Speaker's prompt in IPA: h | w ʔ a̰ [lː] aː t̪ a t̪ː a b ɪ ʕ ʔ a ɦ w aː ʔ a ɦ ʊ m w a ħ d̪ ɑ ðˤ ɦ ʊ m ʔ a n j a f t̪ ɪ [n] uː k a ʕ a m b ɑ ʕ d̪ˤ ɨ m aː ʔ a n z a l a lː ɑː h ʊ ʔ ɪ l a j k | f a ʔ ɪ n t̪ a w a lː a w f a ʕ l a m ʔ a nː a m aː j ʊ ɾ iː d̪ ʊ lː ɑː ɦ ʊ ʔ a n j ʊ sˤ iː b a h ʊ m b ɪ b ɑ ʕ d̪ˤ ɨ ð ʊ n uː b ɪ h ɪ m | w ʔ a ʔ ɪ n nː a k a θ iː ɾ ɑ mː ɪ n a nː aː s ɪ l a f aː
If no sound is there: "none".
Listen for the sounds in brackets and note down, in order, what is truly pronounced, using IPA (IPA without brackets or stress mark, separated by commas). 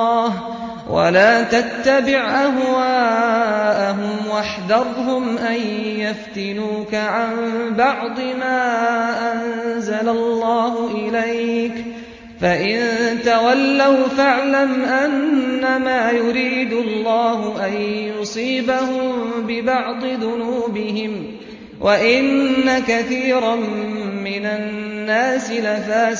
l, n